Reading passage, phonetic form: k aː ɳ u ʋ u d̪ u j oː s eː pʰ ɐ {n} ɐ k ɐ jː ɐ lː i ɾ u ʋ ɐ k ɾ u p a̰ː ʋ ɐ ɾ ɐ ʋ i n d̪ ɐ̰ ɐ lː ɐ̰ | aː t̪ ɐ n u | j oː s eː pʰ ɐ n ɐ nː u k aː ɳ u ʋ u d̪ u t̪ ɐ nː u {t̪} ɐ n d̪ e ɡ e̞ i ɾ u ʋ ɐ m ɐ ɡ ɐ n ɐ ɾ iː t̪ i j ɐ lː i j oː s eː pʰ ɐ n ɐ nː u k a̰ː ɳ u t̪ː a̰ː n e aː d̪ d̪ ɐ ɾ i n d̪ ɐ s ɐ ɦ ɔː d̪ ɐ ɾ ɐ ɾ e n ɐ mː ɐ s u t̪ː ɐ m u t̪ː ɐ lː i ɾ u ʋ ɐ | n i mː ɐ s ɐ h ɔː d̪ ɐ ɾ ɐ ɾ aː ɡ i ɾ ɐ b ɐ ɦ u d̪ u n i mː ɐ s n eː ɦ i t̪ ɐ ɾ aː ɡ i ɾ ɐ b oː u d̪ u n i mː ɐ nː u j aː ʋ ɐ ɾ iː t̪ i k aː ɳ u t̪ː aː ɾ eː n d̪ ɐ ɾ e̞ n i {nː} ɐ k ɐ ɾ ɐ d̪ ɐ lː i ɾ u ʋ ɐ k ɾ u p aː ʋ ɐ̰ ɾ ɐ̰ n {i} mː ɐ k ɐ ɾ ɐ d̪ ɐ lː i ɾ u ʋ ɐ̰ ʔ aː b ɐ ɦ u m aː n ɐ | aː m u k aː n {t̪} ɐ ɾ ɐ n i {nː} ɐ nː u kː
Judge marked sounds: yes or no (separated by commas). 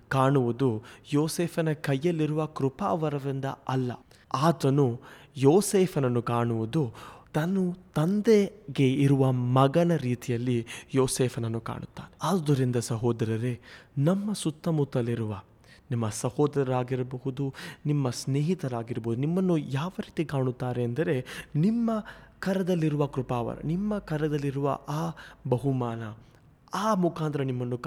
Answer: yes, yes, no, yes, yes, no